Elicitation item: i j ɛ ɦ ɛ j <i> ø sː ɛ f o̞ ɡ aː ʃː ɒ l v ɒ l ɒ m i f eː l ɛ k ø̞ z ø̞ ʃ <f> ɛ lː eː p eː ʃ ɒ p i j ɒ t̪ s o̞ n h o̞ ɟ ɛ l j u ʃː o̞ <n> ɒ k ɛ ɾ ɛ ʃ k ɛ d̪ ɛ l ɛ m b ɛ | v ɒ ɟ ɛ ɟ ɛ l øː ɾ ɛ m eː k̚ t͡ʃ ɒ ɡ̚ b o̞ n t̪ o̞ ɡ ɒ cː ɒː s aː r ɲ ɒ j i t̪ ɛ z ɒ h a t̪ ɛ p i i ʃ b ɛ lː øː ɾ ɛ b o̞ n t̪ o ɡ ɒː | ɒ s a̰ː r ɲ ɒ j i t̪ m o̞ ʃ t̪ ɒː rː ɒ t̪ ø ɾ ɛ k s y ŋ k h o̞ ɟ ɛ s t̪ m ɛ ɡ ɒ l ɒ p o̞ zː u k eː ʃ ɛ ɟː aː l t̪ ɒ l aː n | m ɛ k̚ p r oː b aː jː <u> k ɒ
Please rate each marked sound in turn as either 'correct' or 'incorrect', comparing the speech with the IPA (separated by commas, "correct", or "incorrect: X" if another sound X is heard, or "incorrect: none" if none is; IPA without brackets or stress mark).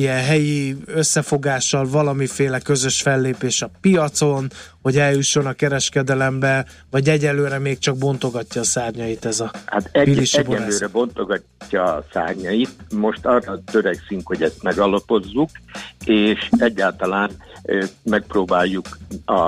correct, correct, correct, correct